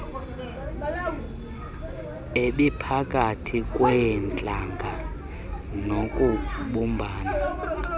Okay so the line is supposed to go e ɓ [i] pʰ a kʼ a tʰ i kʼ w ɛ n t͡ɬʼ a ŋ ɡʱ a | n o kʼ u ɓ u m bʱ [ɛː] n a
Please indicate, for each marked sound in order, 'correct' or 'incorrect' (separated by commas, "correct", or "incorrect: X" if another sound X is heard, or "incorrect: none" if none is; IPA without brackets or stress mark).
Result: correct, incorrect: aː